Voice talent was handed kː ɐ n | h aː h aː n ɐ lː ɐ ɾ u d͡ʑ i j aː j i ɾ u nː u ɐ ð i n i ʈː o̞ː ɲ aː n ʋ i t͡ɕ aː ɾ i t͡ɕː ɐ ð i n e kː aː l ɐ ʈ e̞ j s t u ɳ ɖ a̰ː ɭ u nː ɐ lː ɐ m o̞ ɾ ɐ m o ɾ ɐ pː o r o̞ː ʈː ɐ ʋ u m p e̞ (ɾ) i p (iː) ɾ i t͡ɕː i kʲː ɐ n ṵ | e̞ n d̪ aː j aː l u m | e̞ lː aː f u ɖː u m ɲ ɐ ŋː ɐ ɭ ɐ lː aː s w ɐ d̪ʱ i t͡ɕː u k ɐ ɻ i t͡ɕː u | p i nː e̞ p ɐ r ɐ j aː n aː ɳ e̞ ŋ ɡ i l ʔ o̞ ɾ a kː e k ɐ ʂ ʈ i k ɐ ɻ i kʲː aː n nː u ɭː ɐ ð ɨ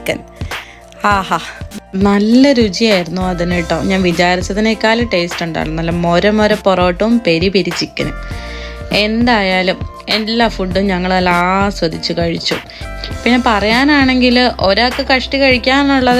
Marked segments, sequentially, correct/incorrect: correct, incorrect: i

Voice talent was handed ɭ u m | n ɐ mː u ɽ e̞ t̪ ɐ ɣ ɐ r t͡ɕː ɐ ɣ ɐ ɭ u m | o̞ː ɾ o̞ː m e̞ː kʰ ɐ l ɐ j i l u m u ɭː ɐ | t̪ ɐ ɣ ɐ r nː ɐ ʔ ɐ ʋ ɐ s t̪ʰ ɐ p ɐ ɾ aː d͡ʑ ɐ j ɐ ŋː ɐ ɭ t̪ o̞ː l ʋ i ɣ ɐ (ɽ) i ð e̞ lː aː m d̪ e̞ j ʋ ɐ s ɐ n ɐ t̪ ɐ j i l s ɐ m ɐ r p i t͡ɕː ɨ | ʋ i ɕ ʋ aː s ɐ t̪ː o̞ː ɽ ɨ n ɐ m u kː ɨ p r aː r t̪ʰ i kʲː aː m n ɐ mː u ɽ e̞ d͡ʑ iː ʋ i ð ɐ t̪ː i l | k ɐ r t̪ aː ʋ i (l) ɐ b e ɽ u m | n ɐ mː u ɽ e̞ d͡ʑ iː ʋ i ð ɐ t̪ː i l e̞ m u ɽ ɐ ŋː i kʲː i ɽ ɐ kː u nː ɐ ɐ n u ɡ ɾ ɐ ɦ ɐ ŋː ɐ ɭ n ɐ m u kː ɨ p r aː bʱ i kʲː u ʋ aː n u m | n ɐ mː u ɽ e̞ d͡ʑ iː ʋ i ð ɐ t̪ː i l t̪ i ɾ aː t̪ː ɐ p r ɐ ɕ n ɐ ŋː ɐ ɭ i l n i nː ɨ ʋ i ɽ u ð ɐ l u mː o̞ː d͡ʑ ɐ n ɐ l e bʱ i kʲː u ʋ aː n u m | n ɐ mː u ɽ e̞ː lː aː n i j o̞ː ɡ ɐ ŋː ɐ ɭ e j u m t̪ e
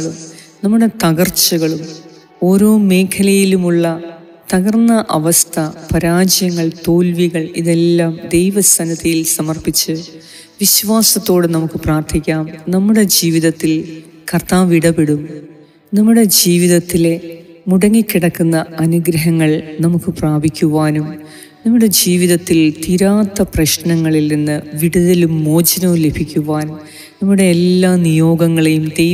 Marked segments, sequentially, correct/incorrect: incorrect: ɭ, incorrect: ɽ

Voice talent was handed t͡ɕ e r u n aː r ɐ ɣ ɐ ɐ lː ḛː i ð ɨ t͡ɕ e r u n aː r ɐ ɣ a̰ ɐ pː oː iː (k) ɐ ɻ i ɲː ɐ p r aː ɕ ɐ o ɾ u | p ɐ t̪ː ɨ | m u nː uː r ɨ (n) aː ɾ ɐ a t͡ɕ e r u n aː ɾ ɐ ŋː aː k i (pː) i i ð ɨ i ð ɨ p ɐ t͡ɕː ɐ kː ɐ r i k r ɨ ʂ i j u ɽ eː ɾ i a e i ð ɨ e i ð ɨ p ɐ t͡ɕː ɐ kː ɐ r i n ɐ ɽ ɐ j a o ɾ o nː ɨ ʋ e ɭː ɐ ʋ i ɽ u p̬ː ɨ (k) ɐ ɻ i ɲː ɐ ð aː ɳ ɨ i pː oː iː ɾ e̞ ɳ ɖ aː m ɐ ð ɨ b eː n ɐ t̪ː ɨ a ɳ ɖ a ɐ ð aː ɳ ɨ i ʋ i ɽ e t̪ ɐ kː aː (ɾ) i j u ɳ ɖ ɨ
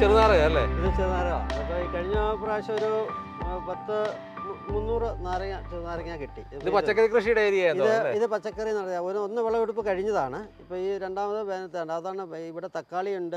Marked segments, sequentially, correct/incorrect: correct, correct, incorrect: ʈː, correct, incorrect: ɭ

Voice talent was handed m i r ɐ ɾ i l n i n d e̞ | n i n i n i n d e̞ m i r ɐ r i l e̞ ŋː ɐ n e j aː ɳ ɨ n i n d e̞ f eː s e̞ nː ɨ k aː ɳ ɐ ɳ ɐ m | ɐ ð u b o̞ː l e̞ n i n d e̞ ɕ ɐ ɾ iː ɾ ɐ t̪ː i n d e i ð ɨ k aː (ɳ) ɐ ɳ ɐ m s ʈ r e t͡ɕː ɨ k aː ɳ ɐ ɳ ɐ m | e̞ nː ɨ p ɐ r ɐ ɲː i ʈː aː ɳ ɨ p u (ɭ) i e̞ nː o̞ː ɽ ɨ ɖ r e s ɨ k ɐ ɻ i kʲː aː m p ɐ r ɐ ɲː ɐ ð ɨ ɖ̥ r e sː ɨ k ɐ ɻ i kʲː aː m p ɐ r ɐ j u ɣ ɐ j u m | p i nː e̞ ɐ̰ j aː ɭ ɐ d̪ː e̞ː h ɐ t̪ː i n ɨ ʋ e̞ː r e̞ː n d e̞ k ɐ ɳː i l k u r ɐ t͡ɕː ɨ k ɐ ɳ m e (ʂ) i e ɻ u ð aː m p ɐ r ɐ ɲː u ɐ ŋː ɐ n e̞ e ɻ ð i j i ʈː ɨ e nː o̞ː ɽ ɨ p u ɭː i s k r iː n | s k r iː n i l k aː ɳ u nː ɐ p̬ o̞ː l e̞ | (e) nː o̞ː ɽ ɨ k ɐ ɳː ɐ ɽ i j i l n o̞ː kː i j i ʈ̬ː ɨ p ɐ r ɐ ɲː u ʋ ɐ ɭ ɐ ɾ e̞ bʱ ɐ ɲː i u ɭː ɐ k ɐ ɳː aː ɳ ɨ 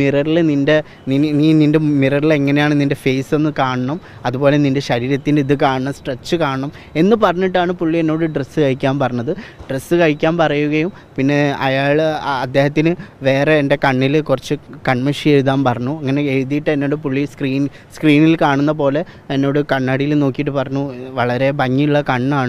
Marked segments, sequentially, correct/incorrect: correct, incorrect: ɭː, correct, correct

